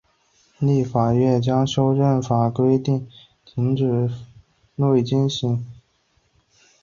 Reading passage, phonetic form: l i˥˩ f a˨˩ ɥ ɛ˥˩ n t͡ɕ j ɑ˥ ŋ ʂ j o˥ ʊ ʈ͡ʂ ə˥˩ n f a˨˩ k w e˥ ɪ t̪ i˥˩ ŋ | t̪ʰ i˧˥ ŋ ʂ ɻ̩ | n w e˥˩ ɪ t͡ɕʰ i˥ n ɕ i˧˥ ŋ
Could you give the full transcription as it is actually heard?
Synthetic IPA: l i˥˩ f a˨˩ ɥ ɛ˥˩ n t͡ɕ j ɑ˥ ŋ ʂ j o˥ ʊ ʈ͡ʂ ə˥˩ n f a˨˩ k w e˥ ɪ t̪ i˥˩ ŋ | t̪ʰ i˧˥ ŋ ʈ͡ʂ ɻ̩ | n w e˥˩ ɪ t͡ɕ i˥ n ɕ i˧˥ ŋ